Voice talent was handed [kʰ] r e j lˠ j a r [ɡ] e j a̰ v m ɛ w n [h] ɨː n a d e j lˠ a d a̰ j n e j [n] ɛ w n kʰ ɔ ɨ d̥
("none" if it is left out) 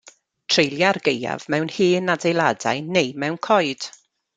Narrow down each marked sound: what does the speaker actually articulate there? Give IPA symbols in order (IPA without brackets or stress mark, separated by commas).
tʰ, ɡ, h, m